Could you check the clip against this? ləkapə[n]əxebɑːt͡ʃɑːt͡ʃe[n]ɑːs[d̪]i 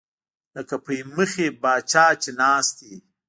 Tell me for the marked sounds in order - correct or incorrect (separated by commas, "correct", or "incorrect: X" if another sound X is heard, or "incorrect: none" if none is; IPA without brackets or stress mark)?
incorrect: m, correct, incorrect: t̪